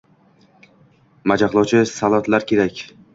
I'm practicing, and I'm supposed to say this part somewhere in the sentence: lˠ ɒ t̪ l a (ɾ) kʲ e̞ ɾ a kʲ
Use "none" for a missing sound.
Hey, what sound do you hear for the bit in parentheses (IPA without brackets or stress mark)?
ɾ